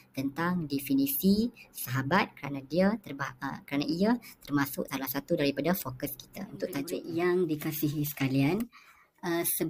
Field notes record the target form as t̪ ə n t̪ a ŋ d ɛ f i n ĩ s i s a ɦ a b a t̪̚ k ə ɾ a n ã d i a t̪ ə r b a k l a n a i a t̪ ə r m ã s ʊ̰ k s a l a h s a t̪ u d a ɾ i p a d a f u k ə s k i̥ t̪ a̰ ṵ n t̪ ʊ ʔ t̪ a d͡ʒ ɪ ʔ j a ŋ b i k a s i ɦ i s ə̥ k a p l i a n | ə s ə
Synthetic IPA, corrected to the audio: t̪ ə n t̪ a ŋ d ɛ f i n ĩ s i s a ɦ a b a t̪̚ k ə ɾ a n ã d i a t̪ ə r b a k ɾ a n a i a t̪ ə r m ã s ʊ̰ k s a l a h s a t̪ u d a ɾ i p a d a f o k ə s k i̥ t̪ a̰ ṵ n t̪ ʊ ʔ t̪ a d͡ʒ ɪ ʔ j a ŋ d i k a s i ɦ i s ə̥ k a l i a n | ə s ə